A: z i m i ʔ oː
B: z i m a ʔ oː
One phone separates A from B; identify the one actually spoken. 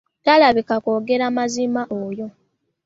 B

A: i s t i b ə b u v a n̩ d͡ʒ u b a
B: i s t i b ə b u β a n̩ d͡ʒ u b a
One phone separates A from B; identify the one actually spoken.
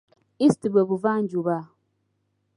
A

